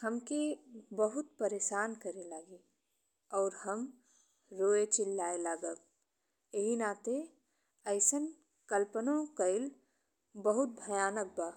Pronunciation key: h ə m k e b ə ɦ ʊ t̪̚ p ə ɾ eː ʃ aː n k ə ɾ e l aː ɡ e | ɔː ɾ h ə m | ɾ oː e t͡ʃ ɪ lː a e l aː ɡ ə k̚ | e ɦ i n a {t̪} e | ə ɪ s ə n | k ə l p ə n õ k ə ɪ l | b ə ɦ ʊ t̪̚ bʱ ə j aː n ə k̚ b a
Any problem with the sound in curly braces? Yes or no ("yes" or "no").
no